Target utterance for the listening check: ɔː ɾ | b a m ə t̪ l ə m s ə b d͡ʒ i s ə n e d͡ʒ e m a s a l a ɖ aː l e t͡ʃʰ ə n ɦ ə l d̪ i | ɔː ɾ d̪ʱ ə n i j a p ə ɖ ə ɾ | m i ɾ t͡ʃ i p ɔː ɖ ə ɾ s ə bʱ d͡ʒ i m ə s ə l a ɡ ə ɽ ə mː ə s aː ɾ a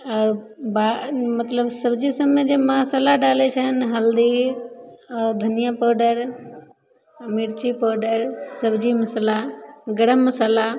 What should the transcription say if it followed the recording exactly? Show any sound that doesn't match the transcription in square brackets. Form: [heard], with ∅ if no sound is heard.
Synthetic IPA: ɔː ɾ | b a m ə t̪ l ə [b] s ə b d͡ʒ i s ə [m] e d͡ʒ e m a s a l a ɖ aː l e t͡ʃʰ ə n ɦ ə l d̪ i | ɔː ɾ d̪ʱ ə n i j a p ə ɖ ə ɾ | m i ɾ t͡ʃ i p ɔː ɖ ə ɾ s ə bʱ d͡ʒ i m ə s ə l a ɡ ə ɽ ə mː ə s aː [l] a